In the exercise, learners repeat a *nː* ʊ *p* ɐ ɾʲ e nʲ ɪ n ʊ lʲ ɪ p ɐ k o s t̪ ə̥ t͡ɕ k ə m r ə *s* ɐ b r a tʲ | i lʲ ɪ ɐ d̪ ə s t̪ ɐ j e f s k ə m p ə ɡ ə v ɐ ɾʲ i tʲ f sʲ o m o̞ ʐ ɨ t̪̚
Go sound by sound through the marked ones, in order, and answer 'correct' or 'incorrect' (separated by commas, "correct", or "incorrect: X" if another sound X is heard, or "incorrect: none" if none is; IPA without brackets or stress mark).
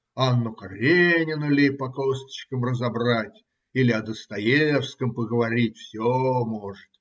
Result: correct, incorrect: k, incorrect: z